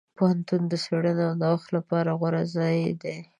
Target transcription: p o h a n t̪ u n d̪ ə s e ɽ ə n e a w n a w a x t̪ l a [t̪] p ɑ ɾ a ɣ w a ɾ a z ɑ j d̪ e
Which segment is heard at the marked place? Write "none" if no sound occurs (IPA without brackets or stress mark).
none